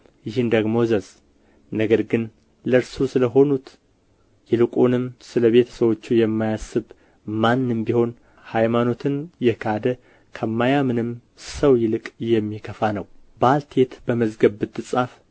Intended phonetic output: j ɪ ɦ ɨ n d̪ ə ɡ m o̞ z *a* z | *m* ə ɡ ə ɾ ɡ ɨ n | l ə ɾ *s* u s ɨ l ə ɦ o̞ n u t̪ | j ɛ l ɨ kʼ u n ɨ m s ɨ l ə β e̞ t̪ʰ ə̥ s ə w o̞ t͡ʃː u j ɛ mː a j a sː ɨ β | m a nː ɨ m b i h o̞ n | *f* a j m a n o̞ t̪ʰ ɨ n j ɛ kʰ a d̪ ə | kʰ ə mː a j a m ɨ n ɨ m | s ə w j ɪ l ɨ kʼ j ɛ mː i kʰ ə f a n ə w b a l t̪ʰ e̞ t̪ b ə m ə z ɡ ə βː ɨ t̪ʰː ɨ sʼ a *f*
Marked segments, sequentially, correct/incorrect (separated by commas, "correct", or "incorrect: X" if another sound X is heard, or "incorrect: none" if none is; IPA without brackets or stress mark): incorrect: ə, incorrect: n, correct, incorrect: h, correct